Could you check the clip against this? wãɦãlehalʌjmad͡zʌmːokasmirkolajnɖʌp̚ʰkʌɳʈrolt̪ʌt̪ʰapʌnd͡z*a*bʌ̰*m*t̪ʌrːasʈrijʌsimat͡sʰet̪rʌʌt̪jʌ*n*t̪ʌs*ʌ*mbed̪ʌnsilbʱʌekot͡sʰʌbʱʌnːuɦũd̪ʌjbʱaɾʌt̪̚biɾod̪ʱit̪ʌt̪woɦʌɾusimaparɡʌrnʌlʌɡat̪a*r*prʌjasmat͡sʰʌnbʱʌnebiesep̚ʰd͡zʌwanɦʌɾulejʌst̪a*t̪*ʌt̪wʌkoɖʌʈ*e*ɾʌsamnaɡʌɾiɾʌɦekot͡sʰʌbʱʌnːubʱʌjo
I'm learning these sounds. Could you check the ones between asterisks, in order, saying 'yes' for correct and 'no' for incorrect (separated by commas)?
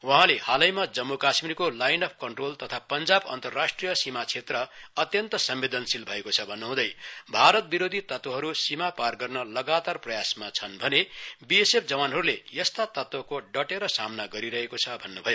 yes, no, yes, yes, yes, yes, yes